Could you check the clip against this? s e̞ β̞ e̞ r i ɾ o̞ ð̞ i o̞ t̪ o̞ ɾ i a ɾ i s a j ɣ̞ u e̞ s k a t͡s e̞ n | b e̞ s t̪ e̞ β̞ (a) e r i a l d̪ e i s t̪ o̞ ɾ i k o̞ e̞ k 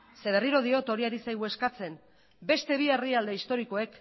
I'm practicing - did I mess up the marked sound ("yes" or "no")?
yes